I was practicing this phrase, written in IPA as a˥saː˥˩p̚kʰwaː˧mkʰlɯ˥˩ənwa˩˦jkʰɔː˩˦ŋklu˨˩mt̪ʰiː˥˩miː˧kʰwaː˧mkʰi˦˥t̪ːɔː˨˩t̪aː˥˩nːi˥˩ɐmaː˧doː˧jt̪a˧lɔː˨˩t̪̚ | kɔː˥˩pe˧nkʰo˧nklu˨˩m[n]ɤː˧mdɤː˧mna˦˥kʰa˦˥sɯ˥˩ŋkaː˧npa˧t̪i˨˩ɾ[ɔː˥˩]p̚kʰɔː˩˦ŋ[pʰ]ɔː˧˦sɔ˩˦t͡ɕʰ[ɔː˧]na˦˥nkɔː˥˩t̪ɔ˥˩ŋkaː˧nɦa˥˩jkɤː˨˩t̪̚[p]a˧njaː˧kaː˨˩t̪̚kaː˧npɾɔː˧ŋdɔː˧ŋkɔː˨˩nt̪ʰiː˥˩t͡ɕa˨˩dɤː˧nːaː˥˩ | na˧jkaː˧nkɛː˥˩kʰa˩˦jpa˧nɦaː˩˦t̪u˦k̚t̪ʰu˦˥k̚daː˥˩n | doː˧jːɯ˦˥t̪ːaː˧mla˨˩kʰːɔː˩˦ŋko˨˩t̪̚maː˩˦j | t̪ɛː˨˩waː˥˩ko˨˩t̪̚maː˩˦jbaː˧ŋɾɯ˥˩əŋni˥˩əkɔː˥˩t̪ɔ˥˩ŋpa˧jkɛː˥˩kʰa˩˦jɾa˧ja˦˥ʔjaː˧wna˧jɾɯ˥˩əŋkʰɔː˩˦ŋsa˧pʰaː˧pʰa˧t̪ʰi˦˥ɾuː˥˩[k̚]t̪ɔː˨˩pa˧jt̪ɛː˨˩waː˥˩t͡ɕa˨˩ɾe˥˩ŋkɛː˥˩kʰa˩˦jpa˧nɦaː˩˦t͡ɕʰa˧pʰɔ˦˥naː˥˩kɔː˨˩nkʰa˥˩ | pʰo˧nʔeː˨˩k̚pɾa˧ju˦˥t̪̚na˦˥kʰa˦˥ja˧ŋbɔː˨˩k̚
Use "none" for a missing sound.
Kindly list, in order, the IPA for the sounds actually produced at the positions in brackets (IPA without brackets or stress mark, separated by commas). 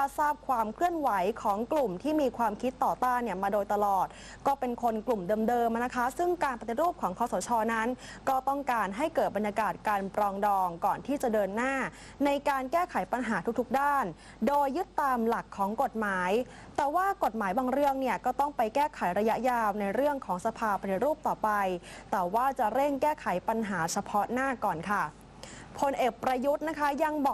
d, uː˥˩, kʰ, ɔː˧, b, p̚